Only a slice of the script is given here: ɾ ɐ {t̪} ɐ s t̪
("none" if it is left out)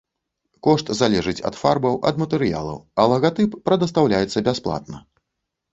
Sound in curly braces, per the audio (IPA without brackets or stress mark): d̪